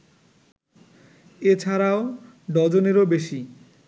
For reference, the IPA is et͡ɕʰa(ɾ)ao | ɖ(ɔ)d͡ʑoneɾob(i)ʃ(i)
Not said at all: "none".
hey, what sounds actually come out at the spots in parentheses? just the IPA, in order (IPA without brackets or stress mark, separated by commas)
ɾ, ɔ, e, i